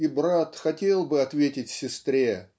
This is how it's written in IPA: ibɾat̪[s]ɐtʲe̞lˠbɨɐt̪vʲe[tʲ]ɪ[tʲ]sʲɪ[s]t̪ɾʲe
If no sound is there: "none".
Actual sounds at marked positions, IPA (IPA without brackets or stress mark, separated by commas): x, tʲ, tʲ, s